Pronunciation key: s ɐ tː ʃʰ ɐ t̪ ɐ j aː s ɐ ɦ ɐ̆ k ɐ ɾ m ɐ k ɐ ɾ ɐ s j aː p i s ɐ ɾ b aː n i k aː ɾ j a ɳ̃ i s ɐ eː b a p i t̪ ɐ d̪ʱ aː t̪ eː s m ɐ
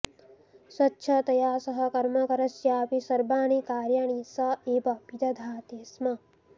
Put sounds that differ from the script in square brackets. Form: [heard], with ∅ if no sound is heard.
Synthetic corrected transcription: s ɐ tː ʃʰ ɐ t̪ ɐ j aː s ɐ ɦ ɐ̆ k ɐ ɾ m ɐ k ɐ ɾ ɐ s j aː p i s ɐ ɾ b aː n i k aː ɾ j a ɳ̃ i s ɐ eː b [ɐ] p i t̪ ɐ d̪ʱ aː t̪ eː s m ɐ